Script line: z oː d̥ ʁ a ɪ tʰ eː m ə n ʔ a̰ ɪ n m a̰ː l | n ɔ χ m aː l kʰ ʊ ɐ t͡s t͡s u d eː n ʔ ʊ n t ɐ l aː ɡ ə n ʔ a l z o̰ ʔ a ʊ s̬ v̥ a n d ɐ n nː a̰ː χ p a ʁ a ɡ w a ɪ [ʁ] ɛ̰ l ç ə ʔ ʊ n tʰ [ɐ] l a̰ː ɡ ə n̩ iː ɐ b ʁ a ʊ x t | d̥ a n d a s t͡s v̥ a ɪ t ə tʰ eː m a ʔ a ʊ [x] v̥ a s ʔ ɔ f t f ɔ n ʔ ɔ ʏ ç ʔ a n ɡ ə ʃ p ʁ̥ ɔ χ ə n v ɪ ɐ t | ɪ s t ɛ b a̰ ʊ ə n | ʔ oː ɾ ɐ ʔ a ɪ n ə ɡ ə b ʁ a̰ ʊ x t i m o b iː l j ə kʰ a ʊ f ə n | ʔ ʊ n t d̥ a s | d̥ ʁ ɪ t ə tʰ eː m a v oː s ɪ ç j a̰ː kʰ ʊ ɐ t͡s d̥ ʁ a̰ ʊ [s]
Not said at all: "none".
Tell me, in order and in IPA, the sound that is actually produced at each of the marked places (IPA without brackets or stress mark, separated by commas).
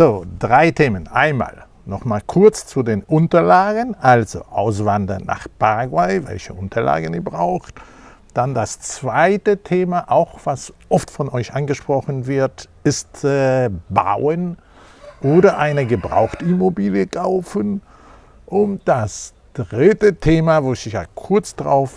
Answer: v, ɐ, x, f